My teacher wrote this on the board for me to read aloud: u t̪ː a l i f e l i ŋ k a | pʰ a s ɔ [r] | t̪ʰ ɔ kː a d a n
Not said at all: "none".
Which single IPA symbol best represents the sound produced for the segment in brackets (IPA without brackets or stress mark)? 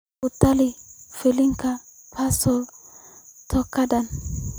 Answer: l